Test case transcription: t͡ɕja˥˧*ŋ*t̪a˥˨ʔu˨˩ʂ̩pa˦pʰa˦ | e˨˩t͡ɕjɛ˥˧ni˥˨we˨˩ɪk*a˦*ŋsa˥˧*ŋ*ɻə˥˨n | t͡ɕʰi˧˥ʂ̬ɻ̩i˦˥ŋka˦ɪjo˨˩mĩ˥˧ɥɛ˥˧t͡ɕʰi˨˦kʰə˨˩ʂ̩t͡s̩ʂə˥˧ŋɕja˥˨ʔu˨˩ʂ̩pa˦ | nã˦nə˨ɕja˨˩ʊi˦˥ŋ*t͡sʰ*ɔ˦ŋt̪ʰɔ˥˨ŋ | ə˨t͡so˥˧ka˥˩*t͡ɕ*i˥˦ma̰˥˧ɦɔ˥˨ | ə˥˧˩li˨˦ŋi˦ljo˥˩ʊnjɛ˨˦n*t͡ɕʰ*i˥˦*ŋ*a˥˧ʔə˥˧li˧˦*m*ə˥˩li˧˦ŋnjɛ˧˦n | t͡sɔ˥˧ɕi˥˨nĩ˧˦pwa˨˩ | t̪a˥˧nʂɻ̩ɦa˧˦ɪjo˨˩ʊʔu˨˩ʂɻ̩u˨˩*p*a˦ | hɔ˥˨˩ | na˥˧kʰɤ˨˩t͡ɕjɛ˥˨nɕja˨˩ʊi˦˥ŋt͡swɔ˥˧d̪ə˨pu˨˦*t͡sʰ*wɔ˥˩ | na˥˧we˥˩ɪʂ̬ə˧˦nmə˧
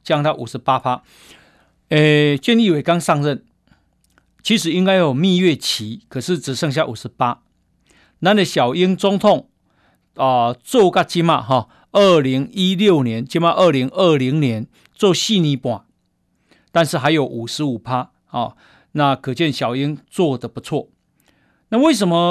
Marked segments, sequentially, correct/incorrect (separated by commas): correct, correct, correct, incorrect, correct, incorrect, incorrect, incorrect, incorrect, correct